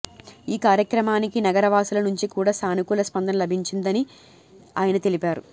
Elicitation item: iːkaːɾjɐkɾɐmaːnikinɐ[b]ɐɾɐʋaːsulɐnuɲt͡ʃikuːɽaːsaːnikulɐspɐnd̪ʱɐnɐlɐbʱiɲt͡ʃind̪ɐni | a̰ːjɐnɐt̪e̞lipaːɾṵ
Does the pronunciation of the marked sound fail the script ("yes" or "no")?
yes